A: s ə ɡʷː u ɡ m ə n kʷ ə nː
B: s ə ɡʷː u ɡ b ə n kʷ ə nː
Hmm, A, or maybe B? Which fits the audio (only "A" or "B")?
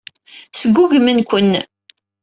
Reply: A